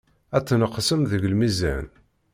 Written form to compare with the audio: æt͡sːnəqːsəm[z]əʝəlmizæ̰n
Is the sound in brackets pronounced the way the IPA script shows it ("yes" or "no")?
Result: no